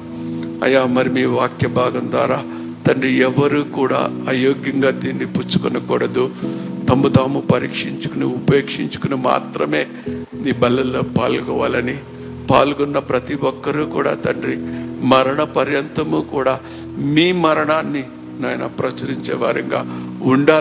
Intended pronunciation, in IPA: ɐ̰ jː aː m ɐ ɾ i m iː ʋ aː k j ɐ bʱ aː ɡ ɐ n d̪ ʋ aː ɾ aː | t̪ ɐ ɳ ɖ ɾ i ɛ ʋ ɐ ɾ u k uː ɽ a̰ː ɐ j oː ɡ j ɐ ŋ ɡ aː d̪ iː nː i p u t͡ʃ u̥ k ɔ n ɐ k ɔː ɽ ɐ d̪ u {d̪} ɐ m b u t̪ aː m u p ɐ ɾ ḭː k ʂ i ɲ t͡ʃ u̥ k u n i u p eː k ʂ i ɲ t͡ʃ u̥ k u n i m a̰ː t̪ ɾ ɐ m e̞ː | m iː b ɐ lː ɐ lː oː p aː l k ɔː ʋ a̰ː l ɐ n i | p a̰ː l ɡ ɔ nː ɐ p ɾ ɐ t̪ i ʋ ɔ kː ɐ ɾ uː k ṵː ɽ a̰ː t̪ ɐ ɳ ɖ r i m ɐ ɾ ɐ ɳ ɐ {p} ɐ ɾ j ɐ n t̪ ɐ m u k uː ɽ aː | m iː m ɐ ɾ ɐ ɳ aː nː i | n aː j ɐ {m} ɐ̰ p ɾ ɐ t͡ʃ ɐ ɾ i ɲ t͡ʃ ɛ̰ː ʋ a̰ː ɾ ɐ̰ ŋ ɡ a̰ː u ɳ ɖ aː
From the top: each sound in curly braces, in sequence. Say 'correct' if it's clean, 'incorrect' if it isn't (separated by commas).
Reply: incorrect, correct, incorrect